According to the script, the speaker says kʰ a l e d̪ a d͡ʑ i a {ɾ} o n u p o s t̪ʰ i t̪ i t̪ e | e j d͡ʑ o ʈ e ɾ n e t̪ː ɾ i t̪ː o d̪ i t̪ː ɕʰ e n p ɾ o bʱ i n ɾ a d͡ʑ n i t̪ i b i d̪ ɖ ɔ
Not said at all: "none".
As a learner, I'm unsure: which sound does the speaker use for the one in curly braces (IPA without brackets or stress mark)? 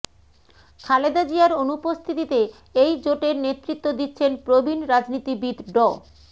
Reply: ɾ